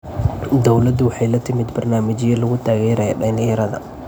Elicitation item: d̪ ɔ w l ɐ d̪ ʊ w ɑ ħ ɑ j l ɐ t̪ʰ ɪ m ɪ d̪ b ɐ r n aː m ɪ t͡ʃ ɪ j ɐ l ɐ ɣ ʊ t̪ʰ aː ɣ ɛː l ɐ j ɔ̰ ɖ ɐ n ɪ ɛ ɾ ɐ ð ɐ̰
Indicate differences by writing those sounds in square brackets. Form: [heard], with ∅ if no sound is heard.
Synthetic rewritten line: d̪ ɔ w l ɐ d̪ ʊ w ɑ ħ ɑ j l ɐ t̪ʰ ɪ m ɪ d̪ b ɐ r n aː m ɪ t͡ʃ ɪ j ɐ l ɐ ɣ ʊ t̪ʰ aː ɣ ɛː [ɾ] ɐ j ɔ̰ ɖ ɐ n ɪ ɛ ɾ ɐ ð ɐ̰